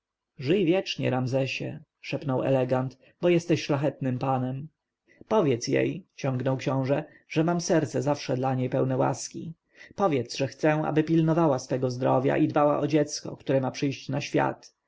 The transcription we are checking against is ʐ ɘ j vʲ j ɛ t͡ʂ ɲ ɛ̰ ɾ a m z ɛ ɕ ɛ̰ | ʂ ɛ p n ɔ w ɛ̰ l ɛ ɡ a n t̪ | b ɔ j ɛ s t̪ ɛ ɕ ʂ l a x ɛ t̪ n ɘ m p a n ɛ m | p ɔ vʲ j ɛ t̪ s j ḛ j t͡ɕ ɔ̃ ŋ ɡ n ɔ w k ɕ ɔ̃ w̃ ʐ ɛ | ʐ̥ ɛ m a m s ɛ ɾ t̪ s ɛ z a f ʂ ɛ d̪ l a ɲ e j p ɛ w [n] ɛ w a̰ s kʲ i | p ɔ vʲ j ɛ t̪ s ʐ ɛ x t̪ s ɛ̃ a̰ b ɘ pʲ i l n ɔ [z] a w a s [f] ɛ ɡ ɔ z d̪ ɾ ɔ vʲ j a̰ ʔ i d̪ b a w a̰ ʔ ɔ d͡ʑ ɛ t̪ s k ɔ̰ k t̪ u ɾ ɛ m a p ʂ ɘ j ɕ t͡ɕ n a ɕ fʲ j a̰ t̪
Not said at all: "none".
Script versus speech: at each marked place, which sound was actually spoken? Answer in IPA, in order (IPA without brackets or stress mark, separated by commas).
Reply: n, v, f